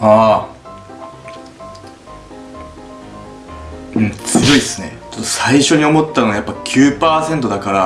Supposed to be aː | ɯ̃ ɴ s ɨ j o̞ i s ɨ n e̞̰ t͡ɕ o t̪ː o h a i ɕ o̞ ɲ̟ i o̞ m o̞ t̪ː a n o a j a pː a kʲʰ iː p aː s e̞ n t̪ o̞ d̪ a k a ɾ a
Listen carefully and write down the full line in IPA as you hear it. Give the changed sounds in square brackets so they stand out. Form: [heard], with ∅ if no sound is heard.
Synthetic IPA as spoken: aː | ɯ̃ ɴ [t͡s] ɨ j o̞ i s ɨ n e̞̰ t͡ɕ o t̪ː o [s] a i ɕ o̞ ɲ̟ i o̞ m o̞ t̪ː a n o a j a pː a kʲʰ [ɨː] p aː s [ẽ̞] n t̪ o̞ d̪ a k a ɾ a